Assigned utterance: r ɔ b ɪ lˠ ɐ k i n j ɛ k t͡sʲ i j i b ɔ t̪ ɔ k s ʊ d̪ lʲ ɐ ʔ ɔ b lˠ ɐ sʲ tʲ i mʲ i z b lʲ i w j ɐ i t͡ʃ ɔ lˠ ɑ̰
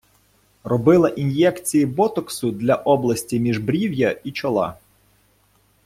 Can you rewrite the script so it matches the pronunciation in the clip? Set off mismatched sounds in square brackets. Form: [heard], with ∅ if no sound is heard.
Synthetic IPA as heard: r ɔ b ɪ lˠ ɐ [ʔ] i n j ɛ k t͡sʲ i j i b ɔ t̪ ɔ k s ʊ d̪ lʲ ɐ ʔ ɔ b lˠ ɐ sʲ tʲ i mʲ i [ʒ] b [ɾʲ] i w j ɐ i t͡ʃ ɔ lˠ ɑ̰